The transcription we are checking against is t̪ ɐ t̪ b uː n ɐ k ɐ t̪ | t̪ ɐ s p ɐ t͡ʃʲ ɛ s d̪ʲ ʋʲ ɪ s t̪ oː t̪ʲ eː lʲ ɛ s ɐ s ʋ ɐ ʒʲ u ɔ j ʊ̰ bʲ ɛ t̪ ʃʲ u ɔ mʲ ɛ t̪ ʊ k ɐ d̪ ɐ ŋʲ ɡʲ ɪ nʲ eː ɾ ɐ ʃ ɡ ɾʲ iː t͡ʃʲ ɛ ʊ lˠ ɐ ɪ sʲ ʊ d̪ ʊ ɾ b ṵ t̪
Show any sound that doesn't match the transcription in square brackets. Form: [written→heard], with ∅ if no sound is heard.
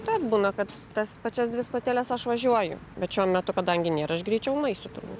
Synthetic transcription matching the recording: t̪ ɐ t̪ b uː n ɐ k ɐ t̪ | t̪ ɐ s p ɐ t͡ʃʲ ɛ s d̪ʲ ʋʲ ɪ s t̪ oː t̪ʲ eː lʲ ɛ s ɐ [s→ʃ] ʋ ɐ ʒʲ u ɔ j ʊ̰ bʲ ɛ t̪ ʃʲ u ɔ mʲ ɛ t̪ ʊ k ɐ d̪ ɐ ŋʲ ɡʲ ɪ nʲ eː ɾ ɐ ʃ ɡ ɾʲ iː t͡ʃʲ ɛ ʊ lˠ ɐ ɪ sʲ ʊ [d̪→t̪] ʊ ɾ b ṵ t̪